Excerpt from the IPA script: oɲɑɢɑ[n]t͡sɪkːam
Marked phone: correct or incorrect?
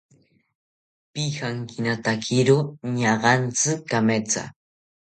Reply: correct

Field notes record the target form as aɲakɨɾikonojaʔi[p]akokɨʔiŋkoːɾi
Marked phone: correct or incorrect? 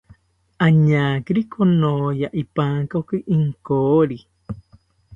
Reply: correct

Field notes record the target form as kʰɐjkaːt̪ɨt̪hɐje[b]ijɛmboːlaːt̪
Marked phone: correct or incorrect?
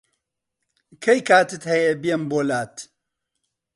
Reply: correct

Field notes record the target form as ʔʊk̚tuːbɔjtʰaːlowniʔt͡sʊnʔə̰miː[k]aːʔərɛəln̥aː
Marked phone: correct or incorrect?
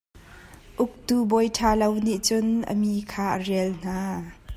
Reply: incorrect: kʰ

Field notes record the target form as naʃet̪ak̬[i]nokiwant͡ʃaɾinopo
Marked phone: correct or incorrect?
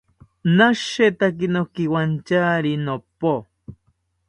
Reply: correct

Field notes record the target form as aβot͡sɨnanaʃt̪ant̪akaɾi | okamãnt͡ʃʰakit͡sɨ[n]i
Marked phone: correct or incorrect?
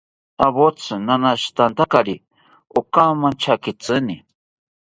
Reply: correct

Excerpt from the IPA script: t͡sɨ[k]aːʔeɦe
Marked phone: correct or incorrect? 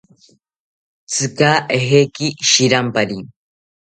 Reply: correct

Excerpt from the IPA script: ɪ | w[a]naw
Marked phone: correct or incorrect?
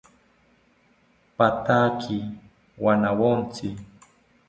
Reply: correct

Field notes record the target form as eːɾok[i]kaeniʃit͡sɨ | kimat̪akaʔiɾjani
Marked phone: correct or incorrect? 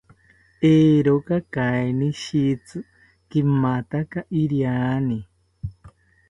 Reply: incorrect: a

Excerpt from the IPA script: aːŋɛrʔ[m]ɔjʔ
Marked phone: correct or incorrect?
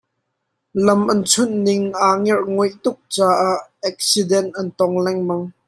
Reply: incorrect: ŋ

